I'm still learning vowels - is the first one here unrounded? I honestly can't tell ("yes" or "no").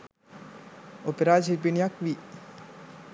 no